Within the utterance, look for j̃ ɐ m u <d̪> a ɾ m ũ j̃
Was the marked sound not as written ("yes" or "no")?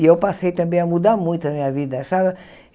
no